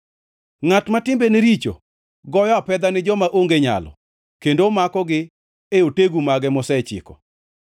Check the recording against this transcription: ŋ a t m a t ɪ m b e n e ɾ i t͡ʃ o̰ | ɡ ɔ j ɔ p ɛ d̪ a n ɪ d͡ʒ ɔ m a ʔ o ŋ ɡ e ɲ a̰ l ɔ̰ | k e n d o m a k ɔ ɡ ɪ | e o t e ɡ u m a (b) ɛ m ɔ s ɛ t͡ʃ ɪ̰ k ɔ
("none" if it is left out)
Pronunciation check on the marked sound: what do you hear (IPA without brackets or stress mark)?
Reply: ɡ